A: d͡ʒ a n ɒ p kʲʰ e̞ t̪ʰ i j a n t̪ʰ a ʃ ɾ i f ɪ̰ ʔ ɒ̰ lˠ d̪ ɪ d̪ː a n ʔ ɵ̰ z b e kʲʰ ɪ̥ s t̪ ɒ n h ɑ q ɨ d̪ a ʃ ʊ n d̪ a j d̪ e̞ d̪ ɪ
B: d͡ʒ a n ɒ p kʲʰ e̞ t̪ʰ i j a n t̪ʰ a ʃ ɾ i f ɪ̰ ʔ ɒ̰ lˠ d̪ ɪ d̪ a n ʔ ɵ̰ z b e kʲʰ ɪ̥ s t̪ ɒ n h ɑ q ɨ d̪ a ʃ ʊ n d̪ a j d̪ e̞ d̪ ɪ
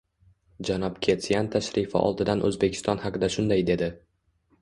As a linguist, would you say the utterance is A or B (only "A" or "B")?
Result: B